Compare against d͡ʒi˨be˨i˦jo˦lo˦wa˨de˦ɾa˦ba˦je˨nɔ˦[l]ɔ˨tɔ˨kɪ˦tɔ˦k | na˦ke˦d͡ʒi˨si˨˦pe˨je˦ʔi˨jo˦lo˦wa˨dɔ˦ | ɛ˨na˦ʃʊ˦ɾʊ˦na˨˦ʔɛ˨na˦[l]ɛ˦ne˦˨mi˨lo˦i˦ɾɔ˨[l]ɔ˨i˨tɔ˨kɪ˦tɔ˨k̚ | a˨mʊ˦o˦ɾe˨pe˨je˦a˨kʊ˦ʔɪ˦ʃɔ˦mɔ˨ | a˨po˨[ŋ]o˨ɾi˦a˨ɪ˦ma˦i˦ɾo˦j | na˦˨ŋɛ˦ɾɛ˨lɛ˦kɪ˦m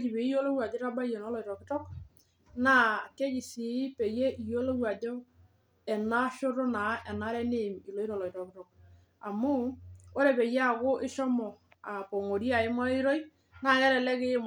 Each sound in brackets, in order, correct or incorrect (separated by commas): correct, incorrect, correct, correct